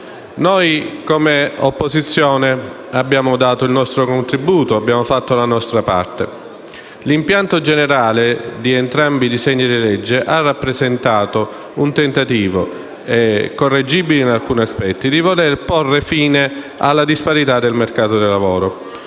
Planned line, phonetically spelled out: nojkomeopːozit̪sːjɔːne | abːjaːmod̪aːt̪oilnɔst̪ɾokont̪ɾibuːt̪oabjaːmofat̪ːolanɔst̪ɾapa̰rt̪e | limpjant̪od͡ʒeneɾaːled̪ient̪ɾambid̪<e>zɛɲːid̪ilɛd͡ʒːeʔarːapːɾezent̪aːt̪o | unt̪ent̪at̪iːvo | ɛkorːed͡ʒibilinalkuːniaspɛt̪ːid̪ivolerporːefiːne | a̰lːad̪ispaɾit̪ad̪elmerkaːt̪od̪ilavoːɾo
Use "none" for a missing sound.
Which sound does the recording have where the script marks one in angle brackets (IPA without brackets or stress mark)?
i